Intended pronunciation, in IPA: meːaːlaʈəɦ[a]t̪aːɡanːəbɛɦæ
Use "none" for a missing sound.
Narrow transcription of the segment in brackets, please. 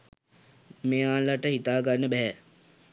i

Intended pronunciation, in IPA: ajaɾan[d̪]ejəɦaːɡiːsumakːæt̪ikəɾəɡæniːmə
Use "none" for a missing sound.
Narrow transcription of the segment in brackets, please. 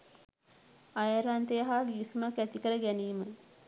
t̪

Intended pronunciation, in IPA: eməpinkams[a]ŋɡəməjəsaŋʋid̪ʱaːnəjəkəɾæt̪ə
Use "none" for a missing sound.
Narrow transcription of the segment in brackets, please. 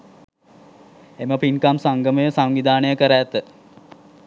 a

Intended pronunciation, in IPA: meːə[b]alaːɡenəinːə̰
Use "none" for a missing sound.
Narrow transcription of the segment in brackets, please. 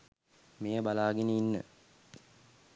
b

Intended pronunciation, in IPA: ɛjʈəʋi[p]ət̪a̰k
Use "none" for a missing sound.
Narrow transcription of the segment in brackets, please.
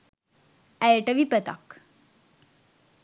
p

